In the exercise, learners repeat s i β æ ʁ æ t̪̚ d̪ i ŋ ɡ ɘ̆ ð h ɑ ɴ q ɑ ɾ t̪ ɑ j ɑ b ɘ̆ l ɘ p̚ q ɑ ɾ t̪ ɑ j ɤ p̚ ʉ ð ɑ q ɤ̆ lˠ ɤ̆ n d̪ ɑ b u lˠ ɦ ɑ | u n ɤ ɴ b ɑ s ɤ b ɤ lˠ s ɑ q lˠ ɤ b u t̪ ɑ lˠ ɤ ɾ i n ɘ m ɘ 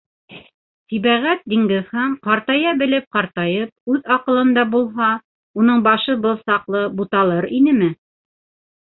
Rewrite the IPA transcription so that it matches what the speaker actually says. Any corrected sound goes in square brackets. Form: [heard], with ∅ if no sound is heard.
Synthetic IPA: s i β æ ʁ æ t̪̚ d̪ i ŋ ɡ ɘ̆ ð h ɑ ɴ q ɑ ɾ t̪ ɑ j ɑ b ɘ̆ l ɘ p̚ q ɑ ɾ t̪ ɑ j ɤ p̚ ʉ ð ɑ q ɤ̆ lˠ ɤ̆ n d̪ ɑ b u lˠ ɦ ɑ | u n ɤ ɴ b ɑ [ʃ] ɤ b ɤ lˠ s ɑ q lˠ ɤ b u t̪ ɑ lˠ ɤ ɾ i n ɘ m ɘ